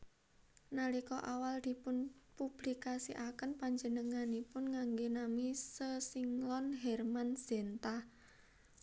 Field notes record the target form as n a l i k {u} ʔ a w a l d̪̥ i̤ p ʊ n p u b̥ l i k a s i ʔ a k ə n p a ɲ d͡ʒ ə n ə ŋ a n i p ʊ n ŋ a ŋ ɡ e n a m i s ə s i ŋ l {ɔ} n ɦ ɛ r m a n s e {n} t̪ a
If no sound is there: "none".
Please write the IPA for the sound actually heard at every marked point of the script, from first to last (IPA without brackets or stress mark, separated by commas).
ɔ, ɔ, n